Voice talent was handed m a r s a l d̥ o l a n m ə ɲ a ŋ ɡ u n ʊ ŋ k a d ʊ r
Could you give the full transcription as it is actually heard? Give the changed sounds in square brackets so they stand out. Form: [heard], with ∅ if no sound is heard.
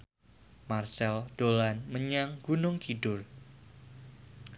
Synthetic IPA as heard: m a r s [ɛ] l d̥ o l a n m ə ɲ a ŋ ɡ u n ʊ ŋ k [i] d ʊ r

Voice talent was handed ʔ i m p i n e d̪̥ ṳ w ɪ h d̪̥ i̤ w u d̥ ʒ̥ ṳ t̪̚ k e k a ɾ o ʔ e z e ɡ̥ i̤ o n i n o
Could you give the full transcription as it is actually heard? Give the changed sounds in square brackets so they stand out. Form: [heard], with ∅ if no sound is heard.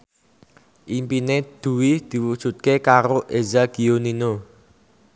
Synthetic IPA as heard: ʔ i m p i n e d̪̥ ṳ w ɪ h d̪̥ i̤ w u d̥ ʒ̥ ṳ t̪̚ k e k a ɾ o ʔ e z [a] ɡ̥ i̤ o n i n o

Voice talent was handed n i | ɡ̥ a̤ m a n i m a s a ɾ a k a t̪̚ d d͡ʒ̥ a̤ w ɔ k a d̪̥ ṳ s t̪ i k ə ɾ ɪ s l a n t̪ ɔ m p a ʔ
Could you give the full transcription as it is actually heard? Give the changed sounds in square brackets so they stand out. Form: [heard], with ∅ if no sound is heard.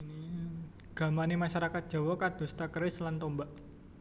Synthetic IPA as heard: n i | ɡ̥ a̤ m a n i m a [ʃ] a ɾ a k a t̪̚ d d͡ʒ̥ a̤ w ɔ k a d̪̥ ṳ s t̪ [a] k ə ɾ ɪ s l a n t̪ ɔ m [b] a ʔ

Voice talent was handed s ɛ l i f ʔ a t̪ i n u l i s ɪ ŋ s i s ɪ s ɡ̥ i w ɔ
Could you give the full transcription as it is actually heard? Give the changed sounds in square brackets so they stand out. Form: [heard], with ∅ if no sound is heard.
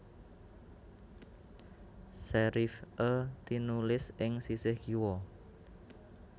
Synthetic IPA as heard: s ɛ [ɾ] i f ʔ [ə] t̪ i n u l [ɪ] s ɪ ŋ s i s ɪ [h] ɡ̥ i w ɔ

